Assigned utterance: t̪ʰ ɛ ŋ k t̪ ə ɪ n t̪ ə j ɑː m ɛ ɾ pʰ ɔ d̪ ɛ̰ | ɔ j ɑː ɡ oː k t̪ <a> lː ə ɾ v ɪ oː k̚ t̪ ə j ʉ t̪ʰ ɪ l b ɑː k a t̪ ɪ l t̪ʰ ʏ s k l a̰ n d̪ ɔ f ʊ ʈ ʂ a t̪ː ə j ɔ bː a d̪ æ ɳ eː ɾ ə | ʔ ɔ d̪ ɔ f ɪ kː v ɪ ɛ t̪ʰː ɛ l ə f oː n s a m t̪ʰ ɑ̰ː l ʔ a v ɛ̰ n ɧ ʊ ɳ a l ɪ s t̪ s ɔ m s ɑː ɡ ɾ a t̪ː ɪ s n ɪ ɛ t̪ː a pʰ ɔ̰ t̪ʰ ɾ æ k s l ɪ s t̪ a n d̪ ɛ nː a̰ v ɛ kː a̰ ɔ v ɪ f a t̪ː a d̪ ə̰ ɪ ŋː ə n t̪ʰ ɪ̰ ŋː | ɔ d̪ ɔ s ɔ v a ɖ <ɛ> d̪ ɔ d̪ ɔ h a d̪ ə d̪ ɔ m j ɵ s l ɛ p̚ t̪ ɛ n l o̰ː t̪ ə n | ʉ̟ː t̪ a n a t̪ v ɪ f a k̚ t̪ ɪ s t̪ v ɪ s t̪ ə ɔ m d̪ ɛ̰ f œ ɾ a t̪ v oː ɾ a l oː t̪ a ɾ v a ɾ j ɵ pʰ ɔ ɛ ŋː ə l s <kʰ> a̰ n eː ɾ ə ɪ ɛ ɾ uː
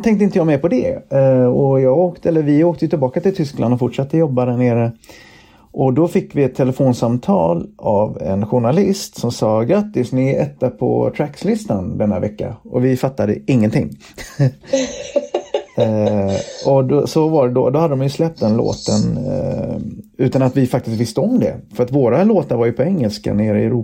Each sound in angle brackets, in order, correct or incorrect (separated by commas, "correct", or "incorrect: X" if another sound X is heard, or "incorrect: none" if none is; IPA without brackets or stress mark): incorrect: ɛ, correct, incorrect: k